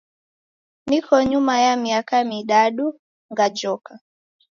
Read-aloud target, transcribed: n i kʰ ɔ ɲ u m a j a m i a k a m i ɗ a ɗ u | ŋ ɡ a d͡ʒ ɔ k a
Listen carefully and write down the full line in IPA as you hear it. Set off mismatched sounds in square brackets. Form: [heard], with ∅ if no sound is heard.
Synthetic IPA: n i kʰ ɔ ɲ u m a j a m i a k a m i ɗ a ɗ u | ŋ ɡ a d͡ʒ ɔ k a